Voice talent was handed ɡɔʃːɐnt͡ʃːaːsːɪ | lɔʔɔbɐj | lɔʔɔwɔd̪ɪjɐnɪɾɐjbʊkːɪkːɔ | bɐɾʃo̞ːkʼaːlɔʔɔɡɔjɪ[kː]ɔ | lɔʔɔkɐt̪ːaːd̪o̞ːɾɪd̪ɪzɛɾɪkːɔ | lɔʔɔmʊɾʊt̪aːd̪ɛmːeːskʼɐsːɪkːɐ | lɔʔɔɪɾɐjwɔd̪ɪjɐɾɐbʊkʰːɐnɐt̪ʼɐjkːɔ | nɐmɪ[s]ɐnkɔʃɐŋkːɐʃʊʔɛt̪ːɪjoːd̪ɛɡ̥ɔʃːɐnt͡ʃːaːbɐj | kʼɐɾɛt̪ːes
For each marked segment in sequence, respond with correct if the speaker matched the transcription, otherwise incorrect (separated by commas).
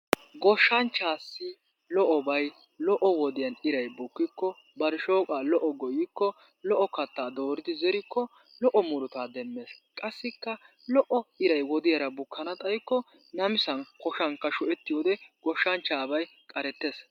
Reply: correct, correct